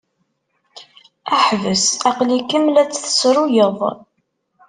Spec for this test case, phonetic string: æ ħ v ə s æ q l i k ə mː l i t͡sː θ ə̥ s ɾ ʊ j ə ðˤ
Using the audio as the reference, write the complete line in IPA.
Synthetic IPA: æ ħ v ə s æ q l i k ə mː l æ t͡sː θ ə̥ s ɾ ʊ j ə ðˤ